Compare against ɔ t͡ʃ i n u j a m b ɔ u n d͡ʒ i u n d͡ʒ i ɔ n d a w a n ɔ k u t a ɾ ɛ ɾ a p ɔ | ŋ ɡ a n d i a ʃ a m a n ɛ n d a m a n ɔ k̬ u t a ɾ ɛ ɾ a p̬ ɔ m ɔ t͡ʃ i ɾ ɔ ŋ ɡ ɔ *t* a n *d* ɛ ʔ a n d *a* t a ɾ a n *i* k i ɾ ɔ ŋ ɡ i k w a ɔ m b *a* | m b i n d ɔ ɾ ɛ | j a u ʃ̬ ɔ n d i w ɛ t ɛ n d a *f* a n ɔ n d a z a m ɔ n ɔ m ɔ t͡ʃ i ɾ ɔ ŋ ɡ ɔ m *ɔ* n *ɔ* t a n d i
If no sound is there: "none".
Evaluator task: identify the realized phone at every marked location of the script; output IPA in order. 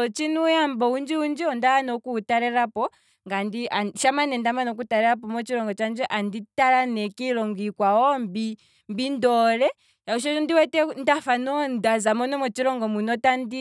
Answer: t͡ʃ, d͡ʒ, i, ɛ, i, f, u, ɔ

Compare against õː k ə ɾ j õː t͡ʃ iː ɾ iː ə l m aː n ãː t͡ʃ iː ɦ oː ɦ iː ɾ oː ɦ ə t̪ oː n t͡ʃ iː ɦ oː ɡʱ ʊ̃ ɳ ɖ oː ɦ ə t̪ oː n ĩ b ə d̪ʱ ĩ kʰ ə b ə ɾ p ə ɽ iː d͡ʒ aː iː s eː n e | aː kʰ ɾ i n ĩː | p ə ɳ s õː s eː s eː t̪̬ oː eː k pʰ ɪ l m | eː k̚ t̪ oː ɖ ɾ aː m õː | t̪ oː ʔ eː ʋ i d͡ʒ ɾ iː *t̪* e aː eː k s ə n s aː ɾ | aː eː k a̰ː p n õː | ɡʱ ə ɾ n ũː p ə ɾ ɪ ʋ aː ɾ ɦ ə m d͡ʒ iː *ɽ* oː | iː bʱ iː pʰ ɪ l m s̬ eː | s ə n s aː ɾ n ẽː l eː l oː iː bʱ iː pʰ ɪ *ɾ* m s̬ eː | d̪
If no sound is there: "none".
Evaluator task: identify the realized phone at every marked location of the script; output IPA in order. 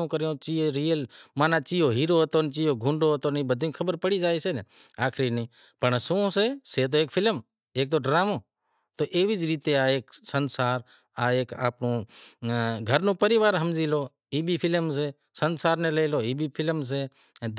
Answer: t̪, l, l

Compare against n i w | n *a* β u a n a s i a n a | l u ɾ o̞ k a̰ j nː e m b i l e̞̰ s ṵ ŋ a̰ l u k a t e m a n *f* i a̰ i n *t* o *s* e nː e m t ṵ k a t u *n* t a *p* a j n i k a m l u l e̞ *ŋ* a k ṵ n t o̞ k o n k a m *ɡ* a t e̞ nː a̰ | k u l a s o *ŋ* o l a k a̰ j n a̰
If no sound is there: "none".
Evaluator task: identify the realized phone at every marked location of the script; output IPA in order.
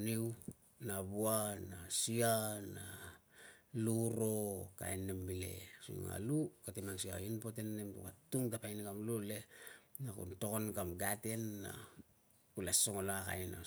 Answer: a, s, p, t, ŋ, p, n, ɡ, ŋ

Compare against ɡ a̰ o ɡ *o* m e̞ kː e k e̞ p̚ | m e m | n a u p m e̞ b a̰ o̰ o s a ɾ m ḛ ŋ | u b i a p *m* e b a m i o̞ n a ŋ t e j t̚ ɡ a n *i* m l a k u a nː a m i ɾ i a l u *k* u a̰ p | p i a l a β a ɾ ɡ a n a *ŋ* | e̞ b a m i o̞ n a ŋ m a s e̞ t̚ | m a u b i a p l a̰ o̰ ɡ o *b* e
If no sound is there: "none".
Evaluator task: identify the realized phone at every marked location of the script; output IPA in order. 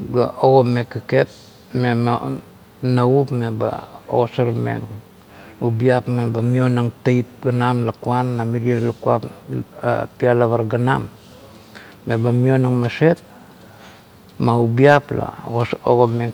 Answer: o, m, a, k, m, m

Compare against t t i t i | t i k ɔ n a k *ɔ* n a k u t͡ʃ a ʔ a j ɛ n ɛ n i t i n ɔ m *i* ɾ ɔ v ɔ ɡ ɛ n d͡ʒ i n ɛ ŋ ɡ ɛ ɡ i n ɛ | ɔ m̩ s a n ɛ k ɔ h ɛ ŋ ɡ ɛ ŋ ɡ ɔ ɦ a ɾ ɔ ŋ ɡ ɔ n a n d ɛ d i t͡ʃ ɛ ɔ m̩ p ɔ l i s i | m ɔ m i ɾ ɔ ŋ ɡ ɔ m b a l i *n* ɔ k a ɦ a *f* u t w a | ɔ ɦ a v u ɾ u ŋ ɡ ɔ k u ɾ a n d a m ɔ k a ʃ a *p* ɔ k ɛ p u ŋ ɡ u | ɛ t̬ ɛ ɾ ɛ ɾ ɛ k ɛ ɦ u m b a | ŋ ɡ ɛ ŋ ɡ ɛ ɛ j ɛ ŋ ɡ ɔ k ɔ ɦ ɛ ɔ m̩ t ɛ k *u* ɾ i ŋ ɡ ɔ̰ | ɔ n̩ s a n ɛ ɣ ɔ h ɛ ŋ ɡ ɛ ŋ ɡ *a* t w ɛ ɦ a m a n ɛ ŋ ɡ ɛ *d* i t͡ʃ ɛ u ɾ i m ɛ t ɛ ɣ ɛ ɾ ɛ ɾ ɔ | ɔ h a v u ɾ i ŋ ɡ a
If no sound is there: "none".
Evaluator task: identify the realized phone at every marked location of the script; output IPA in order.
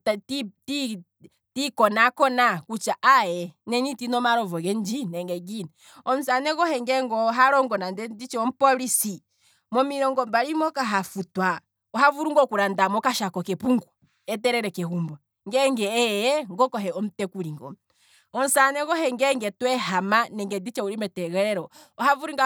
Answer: ɔ, a, m, f, k, u, ɛ, d

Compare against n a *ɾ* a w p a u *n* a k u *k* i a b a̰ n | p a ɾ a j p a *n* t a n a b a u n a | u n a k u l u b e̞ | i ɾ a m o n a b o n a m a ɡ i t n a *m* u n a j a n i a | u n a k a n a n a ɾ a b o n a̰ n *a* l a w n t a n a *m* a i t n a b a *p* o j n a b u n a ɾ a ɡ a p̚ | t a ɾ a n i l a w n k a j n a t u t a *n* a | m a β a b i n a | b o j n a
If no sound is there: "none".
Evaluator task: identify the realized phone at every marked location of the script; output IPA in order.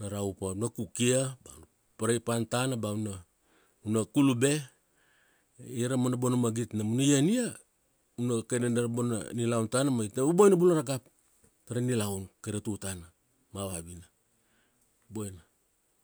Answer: ɾ, n, k, n, m, i, m, b, n

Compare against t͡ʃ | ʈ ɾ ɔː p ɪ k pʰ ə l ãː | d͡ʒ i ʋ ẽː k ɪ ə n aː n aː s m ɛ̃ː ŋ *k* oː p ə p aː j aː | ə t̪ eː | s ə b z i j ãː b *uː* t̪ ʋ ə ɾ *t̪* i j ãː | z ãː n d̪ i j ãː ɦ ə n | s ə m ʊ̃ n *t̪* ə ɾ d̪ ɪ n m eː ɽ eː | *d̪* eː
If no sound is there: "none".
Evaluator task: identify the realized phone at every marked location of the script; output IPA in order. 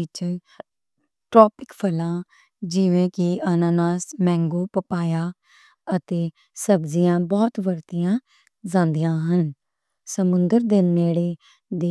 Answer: ɡ, ɔː, t̪, d̪, d̪

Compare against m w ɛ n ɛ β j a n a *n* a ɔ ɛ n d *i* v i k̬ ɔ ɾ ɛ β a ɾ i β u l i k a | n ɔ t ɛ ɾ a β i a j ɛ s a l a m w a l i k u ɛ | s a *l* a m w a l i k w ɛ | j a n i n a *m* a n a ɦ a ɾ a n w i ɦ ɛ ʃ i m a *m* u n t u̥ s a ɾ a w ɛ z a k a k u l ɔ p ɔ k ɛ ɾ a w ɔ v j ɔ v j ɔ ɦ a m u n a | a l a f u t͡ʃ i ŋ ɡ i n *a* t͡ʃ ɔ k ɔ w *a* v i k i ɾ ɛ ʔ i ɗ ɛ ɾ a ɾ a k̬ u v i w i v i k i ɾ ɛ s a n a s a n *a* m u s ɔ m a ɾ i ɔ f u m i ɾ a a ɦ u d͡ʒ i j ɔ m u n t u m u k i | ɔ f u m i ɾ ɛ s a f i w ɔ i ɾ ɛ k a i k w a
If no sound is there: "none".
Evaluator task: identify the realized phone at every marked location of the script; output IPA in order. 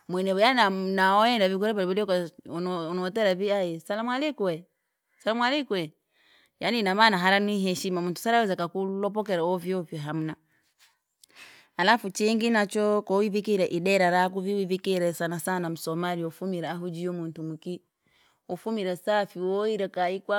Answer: n, a, l, m, m, a, i, a

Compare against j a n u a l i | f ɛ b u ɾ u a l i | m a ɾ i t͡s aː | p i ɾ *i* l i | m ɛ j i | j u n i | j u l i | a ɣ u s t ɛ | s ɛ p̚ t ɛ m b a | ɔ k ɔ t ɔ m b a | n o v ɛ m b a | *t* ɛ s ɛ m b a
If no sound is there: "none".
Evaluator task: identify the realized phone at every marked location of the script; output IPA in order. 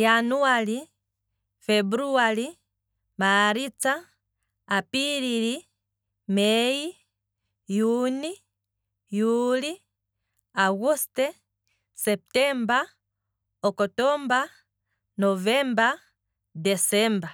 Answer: i, d

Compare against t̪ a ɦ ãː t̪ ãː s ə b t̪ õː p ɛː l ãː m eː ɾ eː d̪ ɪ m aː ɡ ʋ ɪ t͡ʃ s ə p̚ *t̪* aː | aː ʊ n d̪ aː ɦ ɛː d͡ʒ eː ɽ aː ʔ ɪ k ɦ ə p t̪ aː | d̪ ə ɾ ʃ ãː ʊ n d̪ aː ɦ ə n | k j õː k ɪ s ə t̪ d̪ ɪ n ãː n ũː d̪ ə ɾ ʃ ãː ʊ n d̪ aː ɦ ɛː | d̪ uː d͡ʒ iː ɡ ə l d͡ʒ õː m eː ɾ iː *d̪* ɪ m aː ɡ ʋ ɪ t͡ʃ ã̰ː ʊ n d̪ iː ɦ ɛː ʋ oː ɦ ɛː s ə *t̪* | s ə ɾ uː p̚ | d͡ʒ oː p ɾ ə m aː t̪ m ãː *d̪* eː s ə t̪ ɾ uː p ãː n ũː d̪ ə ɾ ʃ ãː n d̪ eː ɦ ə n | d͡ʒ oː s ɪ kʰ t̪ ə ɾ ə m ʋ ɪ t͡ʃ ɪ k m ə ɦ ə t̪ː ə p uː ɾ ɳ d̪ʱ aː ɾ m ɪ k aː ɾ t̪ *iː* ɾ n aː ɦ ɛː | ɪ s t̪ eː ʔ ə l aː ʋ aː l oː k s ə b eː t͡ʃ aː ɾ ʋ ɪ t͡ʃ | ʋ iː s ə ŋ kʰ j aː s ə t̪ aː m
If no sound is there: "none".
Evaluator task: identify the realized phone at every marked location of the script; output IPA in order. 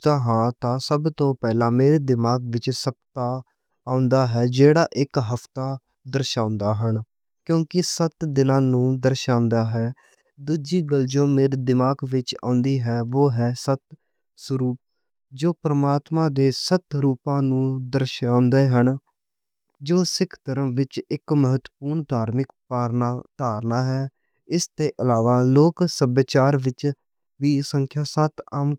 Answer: t̪, d̪, t̪, d̪, aː

